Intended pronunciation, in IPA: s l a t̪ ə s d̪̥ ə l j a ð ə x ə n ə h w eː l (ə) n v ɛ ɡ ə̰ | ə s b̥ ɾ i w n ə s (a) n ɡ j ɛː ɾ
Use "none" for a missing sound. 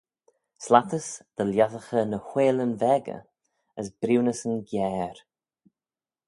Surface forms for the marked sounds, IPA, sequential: ə, ə

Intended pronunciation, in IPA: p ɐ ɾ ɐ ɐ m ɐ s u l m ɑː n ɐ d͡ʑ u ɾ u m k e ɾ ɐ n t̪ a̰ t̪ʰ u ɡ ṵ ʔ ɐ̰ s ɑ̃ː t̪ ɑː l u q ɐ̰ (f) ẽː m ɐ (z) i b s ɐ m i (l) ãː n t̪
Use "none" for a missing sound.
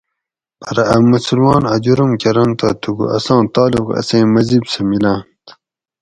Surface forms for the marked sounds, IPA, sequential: s, z, l

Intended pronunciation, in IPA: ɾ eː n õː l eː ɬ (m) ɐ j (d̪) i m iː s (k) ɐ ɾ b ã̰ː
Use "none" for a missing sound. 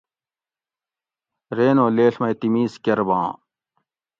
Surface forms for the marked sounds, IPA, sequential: m, t̪, k

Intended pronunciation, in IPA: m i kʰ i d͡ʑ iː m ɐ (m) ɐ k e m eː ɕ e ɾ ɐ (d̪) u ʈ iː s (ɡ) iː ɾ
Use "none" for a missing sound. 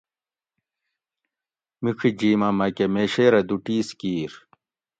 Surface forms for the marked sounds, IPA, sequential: m, d̪, k

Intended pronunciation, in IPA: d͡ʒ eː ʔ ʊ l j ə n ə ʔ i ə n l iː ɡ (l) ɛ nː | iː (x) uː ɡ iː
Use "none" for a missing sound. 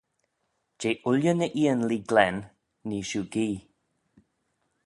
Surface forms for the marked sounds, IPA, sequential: l, ʃ

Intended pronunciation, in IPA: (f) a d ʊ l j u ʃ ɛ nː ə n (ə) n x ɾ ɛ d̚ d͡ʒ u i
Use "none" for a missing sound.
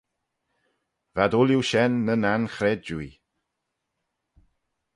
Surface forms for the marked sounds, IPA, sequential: v, a

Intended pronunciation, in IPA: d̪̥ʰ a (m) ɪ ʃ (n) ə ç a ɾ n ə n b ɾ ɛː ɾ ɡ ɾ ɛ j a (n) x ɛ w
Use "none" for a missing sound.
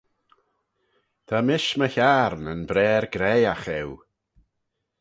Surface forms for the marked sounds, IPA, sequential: m, m, none

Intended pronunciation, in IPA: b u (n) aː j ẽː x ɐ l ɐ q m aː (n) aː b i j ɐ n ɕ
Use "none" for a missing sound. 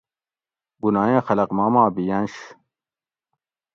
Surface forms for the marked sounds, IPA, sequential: n, m

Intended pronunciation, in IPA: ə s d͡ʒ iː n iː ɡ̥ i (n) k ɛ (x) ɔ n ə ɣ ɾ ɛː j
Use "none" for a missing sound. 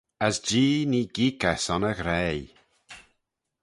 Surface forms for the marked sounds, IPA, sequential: none, s

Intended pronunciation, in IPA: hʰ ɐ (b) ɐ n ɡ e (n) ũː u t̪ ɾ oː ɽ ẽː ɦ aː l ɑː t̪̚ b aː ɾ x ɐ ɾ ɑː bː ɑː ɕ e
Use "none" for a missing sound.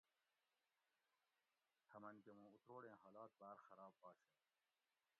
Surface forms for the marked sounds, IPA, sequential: m, m

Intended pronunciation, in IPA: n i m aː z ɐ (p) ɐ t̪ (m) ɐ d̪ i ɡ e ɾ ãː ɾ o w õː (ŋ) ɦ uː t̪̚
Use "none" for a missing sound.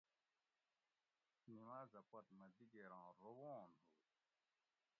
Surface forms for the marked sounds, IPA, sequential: p, m, n

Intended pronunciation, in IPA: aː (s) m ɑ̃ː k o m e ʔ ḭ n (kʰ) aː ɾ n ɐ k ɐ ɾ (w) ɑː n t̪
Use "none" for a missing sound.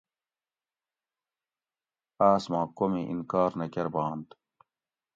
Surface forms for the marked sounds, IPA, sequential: s, k, b

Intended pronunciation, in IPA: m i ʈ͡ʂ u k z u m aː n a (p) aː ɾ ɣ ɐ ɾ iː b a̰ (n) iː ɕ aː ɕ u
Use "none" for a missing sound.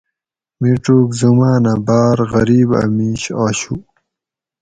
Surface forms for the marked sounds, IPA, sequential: b, m

